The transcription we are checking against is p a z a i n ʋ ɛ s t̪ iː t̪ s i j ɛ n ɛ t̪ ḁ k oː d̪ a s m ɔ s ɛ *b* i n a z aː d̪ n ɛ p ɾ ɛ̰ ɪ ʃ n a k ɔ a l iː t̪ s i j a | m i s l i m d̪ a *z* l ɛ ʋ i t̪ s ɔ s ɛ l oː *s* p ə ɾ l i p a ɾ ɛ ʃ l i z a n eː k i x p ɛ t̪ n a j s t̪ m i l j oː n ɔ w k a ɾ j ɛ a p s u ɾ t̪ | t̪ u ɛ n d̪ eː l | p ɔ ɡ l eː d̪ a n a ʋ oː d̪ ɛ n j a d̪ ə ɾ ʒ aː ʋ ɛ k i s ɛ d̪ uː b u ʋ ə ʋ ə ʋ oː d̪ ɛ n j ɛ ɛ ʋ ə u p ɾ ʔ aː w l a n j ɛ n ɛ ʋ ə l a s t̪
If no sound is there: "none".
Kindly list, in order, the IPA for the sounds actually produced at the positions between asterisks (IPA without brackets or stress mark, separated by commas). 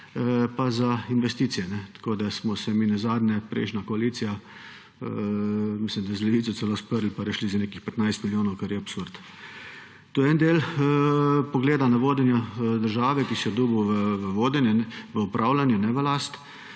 m, z, s